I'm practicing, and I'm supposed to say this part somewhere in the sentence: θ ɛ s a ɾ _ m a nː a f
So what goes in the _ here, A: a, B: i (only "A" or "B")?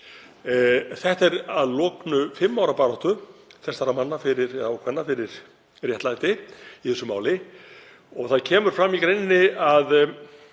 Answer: A